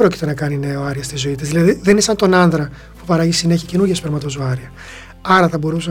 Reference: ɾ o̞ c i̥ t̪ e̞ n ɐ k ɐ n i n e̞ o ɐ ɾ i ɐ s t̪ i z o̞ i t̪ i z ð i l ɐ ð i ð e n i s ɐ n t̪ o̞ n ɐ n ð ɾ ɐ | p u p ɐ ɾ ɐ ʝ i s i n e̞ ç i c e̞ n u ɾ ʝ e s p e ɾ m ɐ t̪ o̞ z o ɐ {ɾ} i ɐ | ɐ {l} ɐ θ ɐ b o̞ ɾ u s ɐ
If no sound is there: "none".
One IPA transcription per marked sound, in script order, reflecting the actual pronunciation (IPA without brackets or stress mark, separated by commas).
ɾ, ɾ